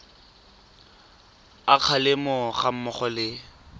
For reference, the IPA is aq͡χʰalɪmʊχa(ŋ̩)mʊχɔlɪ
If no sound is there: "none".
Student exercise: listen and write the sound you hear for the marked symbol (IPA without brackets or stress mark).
m̩